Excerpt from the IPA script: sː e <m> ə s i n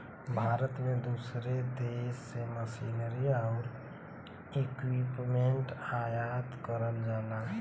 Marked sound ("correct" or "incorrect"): correct